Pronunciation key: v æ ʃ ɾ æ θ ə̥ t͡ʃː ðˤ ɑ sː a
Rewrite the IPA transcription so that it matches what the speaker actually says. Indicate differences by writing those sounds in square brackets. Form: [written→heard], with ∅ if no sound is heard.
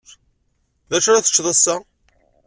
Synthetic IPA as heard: [v→ð] æ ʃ ɾ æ θ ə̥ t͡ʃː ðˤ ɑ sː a